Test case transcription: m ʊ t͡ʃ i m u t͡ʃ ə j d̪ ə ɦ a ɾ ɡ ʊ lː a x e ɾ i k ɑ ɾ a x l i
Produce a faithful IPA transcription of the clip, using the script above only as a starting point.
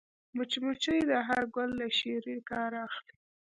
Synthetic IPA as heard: m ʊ t͡ʃ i m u t͡ʃ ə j d̪ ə ɦ a ɾ ɡ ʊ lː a ʃ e ɾ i k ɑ ɾ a x l i